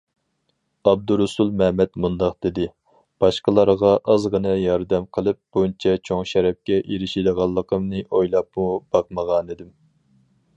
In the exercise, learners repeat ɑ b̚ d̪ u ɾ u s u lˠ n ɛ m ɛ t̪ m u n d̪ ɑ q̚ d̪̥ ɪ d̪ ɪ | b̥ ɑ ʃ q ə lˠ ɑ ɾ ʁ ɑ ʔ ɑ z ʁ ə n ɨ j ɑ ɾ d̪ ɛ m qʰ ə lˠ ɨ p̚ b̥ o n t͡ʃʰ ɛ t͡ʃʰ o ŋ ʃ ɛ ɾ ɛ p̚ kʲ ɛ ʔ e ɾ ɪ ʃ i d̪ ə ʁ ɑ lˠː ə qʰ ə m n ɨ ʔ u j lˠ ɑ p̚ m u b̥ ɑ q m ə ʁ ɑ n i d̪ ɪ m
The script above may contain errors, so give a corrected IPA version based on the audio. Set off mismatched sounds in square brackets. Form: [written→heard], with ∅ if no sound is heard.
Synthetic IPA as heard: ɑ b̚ d̪ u ɾ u s u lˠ [n→m] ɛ m ɛ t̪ m u n d̪ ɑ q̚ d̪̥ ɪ d̪ ɪ | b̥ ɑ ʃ q ə lˠ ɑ ɾ ʁ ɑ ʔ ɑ z ʁ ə n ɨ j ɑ ɾ d̪ ɛ m qʰ ə lˠ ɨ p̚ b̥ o n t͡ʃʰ ɛ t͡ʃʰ o ŋ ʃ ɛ ɾ ɛ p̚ kʲ ɛ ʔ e ɾ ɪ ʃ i d̪ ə ʁ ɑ lˠː ə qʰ ə m n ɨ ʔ [u→o] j lˠ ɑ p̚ m u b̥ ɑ q m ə ʁ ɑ n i d̪ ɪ m